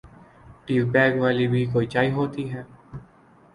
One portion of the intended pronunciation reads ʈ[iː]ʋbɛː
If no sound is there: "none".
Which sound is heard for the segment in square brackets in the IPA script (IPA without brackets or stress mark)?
iː